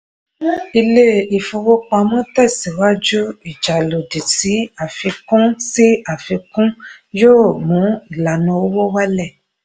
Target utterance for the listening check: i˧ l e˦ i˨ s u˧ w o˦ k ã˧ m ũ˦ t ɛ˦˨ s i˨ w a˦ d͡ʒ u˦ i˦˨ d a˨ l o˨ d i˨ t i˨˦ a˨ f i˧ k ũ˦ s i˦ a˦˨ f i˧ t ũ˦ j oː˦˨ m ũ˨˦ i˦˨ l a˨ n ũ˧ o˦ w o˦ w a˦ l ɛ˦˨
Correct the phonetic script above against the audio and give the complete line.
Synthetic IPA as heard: i˧ l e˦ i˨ f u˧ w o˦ k͡p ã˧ m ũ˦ t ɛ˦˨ s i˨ w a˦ d͡ʒ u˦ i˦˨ d͡ʒ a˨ l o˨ d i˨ t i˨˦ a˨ f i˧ k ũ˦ s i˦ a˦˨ f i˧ k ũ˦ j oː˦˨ m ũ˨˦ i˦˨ l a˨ n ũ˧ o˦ w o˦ w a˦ l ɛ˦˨